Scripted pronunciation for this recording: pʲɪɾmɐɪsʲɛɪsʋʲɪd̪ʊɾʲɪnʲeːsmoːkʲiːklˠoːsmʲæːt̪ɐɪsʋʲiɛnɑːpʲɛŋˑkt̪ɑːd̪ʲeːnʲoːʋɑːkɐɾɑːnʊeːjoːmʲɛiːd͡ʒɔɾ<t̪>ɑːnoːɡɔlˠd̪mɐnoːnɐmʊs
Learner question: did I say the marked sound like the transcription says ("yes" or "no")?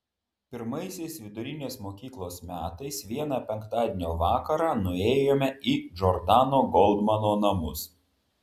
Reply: no